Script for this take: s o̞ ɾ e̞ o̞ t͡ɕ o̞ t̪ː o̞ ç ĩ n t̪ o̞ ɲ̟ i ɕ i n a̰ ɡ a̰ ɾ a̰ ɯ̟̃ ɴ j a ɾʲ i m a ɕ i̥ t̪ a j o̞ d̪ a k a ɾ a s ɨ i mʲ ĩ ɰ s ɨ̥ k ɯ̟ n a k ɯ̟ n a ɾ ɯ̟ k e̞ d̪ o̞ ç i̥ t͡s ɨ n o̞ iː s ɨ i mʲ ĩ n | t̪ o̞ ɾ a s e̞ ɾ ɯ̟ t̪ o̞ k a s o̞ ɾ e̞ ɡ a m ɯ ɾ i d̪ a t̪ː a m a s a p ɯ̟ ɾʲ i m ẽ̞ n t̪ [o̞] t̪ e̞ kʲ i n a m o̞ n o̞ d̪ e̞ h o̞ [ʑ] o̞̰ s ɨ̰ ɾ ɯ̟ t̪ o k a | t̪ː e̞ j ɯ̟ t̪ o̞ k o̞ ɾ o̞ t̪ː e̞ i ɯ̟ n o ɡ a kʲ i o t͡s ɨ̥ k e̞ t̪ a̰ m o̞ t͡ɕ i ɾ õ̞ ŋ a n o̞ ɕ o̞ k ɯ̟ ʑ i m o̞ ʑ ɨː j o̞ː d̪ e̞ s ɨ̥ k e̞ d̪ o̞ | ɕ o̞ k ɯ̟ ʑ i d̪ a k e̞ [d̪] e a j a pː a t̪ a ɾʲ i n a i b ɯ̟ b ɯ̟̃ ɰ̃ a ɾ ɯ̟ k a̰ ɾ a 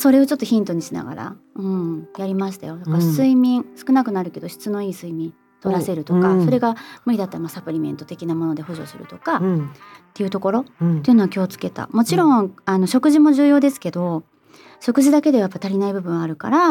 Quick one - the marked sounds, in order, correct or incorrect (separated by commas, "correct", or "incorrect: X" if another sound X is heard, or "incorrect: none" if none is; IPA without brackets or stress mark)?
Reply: correct, correct, correct